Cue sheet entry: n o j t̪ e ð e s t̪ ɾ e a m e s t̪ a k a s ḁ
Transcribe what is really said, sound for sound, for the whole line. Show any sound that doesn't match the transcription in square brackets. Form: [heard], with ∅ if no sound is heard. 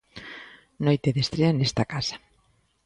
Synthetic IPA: n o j t̪ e ð e s t̪ ɾ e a [n] e s t̪ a k a s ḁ